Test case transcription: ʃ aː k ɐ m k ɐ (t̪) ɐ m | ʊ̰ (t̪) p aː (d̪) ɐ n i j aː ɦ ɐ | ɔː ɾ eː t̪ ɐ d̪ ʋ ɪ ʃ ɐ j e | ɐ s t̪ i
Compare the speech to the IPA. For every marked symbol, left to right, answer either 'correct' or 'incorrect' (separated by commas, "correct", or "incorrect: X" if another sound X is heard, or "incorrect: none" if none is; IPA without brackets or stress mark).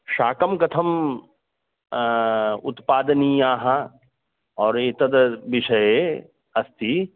incorrect: t̪ʰ, correct, correct